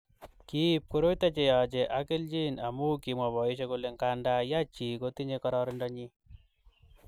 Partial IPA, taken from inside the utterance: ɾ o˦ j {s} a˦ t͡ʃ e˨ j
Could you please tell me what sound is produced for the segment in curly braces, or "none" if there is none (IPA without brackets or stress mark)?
t